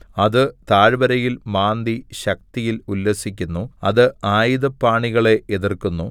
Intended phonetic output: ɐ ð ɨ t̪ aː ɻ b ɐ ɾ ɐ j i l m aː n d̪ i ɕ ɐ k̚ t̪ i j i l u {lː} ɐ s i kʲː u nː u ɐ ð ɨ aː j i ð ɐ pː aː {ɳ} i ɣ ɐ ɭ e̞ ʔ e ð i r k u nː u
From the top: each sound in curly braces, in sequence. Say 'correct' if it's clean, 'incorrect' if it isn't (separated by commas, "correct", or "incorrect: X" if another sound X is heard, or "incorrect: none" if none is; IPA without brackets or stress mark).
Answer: correct, correct